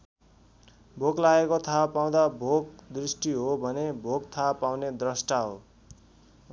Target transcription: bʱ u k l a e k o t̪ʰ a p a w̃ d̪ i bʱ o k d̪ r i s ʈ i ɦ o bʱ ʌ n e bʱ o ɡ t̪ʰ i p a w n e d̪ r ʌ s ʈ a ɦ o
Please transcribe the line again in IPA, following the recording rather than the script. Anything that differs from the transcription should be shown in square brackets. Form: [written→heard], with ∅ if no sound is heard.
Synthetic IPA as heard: bʱ [u→o] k l a e k o t̪ʰ a p a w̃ d̪ [i→a] bʱ o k d̪ r i s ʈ i ɦ o bʱ ʌ n e bʱ o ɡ t̪ʰ [i→a] p a w n e d̪ r ʌ s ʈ a ɦ o